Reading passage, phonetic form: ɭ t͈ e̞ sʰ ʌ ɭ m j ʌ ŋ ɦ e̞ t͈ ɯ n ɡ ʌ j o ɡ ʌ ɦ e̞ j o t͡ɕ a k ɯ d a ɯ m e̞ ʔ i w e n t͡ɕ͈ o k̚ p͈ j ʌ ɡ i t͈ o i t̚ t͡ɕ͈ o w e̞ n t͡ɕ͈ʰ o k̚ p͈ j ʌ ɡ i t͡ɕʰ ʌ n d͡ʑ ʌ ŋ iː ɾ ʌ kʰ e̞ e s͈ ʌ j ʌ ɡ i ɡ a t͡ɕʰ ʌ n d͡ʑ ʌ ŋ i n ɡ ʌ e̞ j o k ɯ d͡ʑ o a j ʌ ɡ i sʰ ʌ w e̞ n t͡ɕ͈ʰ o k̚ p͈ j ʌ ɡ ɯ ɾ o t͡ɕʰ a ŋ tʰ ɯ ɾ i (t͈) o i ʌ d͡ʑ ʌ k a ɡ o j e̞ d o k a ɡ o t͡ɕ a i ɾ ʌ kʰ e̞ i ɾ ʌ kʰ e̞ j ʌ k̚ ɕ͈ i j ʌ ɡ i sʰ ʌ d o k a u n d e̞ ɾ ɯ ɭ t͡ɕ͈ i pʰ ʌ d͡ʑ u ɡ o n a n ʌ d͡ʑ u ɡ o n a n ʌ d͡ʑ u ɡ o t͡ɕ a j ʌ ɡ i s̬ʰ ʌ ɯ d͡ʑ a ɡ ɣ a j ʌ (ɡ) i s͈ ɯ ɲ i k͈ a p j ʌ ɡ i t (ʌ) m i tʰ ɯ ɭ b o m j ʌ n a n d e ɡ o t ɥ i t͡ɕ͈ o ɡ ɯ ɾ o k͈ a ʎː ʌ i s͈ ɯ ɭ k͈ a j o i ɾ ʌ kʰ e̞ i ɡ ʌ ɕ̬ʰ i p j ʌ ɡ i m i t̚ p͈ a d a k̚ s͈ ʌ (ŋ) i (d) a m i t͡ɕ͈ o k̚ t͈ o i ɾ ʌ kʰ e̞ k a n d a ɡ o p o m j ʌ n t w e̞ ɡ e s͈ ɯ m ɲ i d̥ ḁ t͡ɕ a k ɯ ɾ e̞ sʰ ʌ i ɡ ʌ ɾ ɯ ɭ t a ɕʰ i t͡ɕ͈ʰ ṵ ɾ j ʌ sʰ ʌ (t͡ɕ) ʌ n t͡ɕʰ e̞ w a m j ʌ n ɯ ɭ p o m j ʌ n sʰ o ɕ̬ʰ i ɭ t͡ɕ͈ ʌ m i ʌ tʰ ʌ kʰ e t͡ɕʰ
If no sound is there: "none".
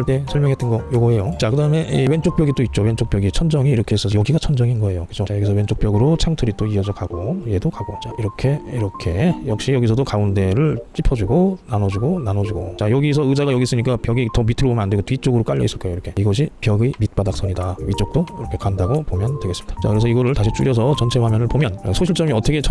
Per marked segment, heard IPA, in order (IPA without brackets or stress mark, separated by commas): t͈, ɡ, ʌ, ɲ, d, t͡ɕ